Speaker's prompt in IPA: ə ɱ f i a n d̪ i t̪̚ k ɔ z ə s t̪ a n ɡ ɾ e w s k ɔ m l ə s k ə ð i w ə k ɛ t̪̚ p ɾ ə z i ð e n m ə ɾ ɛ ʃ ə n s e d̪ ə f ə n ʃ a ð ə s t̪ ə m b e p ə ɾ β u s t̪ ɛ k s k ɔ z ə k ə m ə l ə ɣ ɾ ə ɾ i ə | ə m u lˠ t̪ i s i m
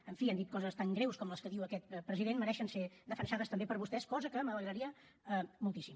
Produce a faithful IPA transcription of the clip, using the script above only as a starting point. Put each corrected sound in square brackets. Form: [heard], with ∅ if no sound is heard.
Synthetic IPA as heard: ə ɱ f i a n d̪ i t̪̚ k ɔ z ə s t̪ a [ŋ] ɡ ɾ e w s k ɔ m l ə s k ə ð i w ə k ɛ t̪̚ p ɾ ə z i ð e n m ə ɾ ɛ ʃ ə n s e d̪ ə f ə n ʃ a ð ə s t̪ ə m b e p ə ɾ β u s t̪ ɛ [∅] s k ɔ z ə k ə m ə l ə ɣ ɾ ə ɾ i ə | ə m u lˠ t̪ i s i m